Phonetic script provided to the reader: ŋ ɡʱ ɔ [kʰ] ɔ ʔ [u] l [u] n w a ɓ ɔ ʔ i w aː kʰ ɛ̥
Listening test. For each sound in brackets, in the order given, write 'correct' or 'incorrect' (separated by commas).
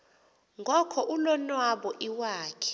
correct, correct, incorrect